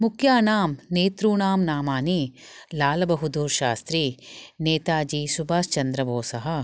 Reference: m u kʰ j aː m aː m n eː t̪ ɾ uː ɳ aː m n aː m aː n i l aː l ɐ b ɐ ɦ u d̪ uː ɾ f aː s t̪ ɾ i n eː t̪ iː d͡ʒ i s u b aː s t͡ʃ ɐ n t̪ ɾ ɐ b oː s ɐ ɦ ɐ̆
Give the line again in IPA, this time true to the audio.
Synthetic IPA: m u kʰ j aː n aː m n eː t̪ ɾ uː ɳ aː m n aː m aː n i l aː l ɐ b ɐ ɦ u d̪ uː ɾ ʃ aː s t̪ ɾ i n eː t̪ aː d͡ʒ i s u b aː s t͡ʃ ɐ n d̪ ɾ ɐ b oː s ɐ ɦ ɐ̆